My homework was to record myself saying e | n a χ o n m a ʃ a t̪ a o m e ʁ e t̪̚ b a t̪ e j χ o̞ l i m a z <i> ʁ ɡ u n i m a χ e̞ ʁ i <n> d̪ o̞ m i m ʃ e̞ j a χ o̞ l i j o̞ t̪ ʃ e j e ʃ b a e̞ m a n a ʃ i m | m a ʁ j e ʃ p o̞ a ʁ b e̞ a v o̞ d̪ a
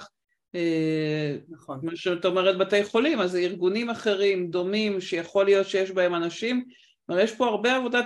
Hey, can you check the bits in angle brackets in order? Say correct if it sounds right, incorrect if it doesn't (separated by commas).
correct, incorrect